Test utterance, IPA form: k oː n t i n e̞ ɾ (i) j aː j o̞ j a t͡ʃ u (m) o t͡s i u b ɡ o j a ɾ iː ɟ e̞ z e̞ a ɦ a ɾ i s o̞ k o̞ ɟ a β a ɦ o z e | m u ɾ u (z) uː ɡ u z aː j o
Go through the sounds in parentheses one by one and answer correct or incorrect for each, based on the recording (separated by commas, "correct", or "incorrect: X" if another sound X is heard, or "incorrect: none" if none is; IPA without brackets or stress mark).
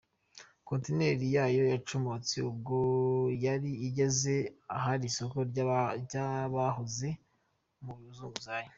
correct, correct, correct